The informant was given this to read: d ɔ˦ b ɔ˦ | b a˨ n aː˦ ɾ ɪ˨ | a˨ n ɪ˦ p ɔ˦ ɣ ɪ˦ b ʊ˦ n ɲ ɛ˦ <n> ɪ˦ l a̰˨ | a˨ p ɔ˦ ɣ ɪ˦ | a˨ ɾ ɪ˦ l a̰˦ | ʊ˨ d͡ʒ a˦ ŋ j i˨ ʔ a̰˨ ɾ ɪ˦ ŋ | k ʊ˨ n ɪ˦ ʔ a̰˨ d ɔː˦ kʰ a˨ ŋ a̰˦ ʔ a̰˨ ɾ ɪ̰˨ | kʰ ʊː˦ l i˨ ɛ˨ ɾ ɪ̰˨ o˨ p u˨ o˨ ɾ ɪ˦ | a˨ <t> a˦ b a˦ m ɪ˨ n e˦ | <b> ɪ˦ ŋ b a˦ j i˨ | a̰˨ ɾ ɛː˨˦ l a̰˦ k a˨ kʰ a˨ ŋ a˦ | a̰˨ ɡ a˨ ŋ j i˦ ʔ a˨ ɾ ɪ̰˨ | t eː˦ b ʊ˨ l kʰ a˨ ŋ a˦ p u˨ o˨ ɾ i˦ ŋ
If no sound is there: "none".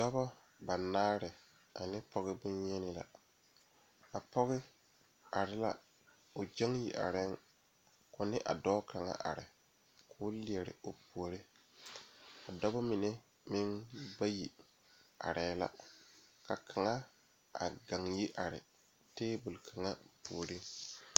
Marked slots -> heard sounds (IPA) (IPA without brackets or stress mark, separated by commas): n, d, m